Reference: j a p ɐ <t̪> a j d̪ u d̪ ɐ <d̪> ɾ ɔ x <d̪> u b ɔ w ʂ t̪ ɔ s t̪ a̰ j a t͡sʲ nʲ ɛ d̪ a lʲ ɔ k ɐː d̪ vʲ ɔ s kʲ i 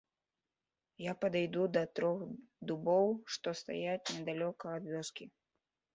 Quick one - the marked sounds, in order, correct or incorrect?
incorrect: d̪, incorrect: t̪, correct

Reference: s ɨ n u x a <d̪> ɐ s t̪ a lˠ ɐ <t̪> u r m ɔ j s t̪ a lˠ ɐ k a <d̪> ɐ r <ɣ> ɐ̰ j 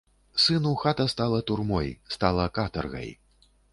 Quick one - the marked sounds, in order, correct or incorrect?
incorrect: t̪, correct, incorrect: t̪, correct

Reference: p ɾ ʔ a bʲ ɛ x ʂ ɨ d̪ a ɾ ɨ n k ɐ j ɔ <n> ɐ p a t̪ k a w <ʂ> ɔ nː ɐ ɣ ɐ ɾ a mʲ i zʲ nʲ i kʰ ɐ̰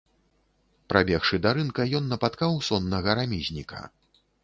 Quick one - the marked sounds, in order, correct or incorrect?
incorrect: nː, incorrect: s

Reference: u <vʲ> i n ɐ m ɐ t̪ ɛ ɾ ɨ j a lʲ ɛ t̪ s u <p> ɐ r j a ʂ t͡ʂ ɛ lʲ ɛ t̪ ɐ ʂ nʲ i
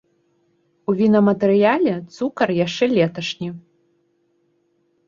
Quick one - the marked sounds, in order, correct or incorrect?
correct, incorrect: k

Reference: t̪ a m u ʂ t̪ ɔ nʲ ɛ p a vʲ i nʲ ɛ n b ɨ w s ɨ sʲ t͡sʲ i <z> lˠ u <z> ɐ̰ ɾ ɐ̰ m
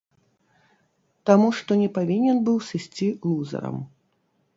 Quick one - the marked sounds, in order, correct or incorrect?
incorrect: none, correct

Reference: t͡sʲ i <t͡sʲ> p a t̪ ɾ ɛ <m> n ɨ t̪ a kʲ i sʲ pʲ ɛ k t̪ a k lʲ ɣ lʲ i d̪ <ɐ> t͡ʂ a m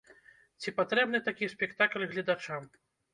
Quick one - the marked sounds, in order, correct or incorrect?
incorrect: none, incorrect: b, incorrect: a

